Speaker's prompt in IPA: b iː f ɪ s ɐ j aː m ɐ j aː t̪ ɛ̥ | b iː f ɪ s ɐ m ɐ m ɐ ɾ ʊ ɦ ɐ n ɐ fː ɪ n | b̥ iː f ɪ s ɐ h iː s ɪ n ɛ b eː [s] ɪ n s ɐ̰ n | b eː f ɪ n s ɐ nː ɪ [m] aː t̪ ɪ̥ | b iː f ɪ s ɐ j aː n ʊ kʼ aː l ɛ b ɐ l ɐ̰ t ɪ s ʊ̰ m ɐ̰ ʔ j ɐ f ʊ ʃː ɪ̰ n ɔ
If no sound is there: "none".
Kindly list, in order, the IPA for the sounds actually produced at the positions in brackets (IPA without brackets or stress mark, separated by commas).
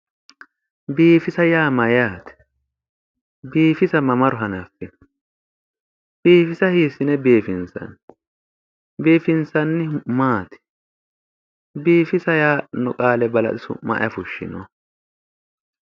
f, m